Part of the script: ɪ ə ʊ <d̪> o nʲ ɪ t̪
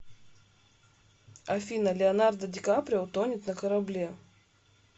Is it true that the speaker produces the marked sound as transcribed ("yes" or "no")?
no